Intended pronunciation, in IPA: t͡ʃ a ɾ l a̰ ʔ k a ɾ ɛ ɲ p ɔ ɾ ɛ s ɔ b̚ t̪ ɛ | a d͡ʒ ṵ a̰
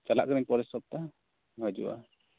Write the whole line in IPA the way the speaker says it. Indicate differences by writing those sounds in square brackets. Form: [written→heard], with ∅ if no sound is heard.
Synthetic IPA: t͡ʃ a [ɾ→∅] l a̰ ʔ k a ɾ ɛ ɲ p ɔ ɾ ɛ s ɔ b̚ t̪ [ɛ→a] | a d͡ʒ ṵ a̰